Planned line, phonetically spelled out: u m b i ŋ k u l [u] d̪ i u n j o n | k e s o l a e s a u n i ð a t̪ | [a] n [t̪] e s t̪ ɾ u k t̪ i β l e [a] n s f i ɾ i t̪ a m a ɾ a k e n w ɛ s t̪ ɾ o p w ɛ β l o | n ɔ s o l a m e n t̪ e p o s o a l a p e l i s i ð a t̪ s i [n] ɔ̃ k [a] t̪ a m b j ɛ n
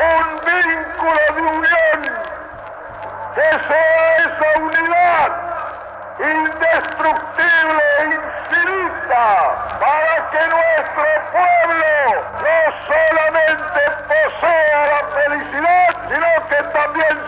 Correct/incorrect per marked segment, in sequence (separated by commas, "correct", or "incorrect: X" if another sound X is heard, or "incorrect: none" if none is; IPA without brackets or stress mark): incorrect: o, incorrect: i, incorrect: d̪, incorrect: i, correct, incorrect: e